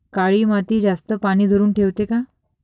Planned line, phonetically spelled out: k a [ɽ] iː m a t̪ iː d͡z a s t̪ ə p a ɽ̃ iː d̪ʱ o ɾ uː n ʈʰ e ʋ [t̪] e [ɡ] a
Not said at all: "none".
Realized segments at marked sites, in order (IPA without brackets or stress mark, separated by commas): ɭ, t̪, k